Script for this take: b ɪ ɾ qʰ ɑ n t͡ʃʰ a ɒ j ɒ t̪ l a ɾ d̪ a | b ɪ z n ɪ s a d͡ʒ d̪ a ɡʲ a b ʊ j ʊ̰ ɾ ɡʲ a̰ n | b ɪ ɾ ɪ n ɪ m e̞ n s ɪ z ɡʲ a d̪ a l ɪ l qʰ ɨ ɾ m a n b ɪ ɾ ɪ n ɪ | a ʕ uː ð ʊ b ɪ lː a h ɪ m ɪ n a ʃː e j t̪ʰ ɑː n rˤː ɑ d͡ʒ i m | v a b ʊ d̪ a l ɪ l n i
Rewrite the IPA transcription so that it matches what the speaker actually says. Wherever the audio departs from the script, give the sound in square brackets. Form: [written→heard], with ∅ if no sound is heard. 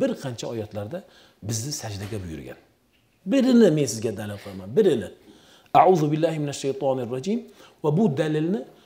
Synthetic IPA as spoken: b ɪ ɾ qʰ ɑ n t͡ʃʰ a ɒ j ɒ t̪ l a ɾ d̪ a | b ɪ z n ɪ s a d͡ʒ d̪ a ɡʲ a b ʊ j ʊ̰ ɾ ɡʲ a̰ n | b ɪ ɾ ɪ n ɪ m e̞ n s ɪ z ɡʲ a d̪ a l ɪ l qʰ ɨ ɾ m a n b ɪ ɾ ɪ n ɪ | a ʕ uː ð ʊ b ɪ lː a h ɪ m ɪ n a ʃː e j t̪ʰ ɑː n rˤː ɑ d͡ʒ i m | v a b ʊ d̪ a l ɪ l n [i→ɪ]